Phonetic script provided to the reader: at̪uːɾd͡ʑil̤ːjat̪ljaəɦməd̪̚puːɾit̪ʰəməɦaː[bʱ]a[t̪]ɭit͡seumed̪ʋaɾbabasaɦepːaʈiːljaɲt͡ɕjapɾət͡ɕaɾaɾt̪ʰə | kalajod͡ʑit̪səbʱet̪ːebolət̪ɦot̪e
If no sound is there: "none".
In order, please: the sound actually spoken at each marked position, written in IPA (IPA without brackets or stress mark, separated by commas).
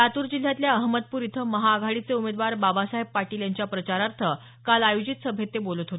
ɡʱ, none